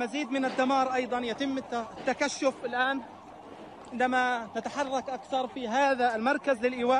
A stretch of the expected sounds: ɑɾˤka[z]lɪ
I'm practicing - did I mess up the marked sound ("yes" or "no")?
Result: no